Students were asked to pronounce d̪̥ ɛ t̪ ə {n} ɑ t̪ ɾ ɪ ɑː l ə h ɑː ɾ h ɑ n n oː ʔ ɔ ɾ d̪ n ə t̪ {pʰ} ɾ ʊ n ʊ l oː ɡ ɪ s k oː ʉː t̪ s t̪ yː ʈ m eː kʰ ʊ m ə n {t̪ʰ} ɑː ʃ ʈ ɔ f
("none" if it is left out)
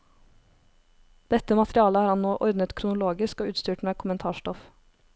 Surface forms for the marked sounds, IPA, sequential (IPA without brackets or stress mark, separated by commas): m, kʰ, t̪ʰ